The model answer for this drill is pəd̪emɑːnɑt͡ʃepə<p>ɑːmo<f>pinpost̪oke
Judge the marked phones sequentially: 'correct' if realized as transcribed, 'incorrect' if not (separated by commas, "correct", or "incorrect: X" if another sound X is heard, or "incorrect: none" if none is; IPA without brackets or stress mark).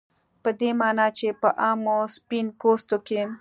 incorrect: ʔ, incorrect: s